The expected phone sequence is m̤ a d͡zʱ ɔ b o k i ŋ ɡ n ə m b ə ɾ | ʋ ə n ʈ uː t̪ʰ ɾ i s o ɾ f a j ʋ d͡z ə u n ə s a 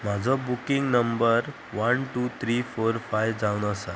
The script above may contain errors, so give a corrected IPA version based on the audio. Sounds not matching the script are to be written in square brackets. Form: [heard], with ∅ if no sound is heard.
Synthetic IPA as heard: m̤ a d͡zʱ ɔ b [u] k i ŋ ɡ n ə m b ə ɾ | ʋ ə n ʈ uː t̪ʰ ɾ i [f] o ɾ f a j ʋ d͡z [a] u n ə s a